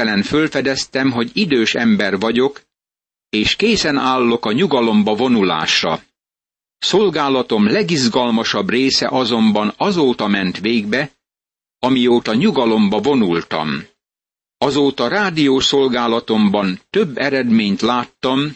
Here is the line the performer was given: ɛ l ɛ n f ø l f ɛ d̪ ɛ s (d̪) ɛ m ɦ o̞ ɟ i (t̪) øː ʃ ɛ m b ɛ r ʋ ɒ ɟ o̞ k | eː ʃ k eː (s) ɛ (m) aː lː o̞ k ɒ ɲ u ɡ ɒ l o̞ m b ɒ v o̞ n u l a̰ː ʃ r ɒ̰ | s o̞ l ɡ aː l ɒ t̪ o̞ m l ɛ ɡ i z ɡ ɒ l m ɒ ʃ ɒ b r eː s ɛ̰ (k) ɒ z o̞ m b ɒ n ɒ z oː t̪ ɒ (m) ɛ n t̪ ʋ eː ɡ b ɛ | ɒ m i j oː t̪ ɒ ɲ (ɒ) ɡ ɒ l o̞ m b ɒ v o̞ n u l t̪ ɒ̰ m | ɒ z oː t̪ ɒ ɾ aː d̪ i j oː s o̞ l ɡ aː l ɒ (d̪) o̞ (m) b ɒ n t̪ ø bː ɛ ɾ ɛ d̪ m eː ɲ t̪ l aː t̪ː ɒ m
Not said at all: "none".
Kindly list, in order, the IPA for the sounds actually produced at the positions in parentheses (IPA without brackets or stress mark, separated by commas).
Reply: t̪, d̪, s, n, ʔ, m, u, t̪, m